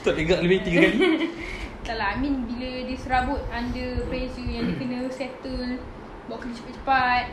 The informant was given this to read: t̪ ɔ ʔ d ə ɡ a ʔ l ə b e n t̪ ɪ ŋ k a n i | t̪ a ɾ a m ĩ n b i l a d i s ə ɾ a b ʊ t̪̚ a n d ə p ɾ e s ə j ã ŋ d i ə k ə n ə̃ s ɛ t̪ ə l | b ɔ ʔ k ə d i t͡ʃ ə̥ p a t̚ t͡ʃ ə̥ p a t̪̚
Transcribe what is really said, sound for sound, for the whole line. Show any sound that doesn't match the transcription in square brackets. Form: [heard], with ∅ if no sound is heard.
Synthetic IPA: t̪ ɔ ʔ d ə ɡ a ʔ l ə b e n t̪ [i] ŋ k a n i | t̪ a [l] a m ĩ n b i l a d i s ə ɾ a b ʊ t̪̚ a n d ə p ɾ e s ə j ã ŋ d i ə k ə n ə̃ s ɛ t̪ ə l | b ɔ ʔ k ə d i t͡ʃ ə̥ p a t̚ t͡ʃ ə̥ p a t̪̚